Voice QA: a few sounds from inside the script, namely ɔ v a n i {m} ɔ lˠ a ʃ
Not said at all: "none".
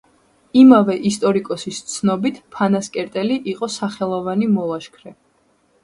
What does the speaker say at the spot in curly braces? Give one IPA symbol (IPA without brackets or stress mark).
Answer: m